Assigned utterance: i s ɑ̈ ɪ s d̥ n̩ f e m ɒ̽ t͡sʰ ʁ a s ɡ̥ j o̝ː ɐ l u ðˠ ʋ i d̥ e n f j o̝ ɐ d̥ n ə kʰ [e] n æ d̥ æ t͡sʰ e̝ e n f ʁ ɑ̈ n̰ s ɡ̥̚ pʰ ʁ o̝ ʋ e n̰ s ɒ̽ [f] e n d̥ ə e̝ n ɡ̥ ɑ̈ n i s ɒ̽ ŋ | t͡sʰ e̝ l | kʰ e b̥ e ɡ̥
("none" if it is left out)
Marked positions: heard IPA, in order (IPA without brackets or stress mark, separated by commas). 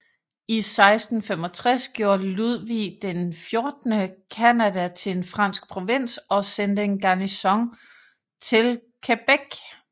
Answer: æ, s